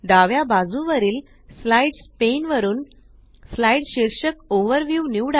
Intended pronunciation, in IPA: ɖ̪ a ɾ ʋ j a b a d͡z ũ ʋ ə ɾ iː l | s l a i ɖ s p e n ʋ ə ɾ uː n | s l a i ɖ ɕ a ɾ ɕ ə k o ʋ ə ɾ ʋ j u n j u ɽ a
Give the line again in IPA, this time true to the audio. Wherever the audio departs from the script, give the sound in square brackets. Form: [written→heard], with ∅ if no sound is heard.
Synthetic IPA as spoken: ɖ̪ a [ɾ→∅] ʋ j a b a d͡z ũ ʋ ə ɾ iː l | s l a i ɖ s p e n ʋ ə ɾ uː n | s l a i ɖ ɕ [a→i] ɾ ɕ ə k o ʋ ə ɾ ʋ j u n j u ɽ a